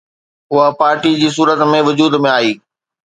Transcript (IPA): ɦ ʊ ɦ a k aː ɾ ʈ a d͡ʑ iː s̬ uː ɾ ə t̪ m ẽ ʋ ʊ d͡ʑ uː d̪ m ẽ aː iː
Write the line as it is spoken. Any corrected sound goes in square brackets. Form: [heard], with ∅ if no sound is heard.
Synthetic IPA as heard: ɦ ʊ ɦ a [p] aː ɾ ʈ [i] d͡ʑ iː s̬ uː ɾ ə t̪ m ẽ ʋ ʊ d͡ʑ uː d̪ m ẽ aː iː